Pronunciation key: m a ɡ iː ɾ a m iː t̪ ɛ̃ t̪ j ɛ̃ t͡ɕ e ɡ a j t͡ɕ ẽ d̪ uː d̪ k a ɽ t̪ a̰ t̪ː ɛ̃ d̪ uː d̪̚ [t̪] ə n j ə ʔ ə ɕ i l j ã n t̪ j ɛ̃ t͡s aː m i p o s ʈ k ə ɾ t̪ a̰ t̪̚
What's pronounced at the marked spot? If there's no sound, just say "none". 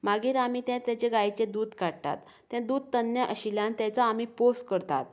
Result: t̪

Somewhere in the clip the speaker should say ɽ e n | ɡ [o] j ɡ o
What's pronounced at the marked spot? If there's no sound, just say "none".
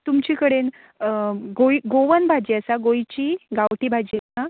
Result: o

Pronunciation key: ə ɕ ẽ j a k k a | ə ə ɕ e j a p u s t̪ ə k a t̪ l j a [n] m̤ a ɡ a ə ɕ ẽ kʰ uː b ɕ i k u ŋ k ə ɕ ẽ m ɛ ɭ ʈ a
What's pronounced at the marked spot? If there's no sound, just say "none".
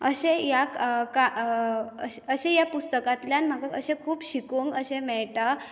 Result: n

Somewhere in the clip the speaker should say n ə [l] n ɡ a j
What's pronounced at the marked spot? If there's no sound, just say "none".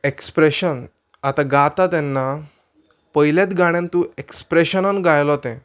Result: none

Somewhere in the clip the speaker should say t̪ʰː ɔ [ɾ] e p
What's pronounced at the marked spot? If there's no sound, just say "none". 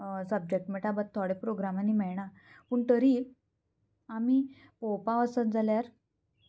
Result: ɽ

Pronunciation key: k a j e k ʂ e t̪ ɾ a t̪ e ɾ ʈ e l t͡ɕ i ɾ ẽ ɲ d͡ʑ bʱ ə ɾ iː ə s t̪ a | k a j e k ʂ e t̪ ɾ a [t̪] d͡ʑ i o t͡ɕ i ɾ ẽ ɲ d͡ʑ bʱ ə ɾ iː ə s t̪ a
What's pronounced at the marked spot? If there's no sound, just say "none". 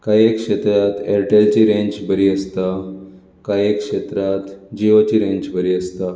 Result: t̪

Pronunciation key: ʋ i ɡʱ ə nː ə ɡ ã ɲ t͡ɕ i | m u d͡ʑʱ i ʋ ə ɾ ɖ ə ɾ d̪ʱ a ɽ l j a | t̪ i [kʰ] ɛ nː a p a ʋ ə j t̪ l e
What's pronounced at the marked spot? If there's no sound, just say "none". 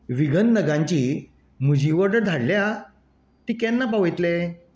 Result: k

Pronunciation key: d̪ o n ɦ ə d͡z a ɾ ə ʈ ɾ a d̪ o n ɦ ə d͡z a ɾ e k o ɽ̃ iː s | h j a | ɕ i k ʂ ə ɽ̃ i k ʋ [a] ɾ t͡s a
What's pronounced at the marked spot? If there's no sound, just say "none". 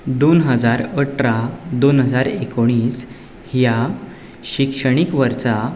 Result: ə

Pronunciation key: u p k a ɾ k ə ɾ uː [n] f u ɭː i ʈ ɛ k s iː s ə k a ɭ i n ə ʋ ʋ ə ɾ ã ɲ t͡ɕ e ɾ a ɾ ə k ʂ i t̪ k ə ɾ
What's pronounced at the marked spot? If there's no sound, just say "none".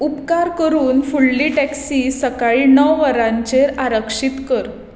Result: n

